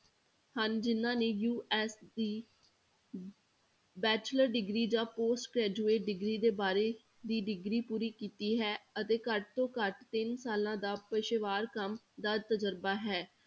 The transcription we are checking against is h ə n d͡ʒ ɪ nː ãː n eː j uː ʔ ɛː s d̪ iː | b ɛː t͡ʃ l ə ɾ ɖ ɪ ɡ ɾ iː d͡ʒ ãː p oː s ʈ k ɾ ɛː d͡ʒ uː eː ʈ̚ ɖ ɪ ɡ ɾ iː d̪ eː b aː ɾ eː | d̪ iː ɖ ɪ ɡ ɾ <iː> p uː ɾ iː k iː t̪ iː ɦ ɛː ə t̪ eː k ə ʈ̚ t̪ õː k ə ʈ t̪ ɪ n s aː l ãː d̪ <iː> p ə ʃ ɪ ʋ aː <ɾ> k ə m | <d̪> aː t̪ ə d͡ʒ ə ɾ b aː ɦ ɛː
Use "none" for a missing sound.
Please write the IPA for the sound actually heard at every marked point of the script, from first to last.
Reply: iː, aː, ɾ, d̪

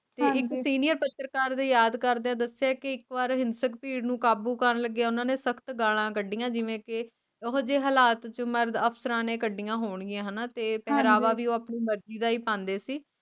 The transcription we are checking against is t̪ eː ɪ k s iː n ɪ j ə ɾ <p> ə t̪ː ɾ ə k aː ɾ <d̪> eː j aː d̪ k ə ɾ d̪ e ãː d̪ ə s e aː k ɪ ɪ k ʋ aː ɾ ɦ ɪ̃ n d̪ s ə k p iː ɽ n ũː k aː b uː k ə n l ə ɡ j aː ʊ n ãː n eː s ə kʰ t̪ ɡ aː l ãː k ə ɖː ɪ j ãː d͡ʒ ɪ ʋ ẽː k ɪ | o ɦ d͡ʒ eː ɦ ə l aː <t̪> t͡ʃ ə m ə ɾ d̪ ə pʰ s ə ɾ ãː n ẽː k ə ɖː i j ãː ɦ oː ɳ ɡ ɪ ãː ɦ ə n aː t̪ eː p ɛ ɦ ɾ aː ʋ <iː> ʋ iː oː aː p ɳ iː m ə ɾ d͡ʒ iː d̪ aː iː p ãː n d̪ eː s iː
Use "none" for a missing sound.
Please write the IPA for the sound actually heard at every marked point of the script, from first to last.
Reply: p, d̪, t̪, aː

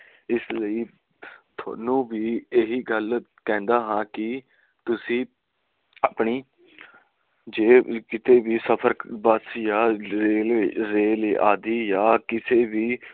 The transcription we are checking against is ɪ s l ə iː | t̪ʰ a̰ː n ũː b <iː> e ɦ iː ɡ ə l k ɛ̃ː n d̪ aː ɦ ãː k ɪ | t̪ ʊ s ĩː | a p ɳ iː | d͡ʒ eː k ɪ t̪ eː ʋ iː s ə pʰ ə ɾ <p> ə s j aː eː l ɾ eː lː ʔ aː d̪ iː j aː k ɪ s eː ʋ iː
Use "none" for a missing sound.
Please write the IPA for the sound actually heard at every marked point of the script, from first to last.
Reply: iː, b

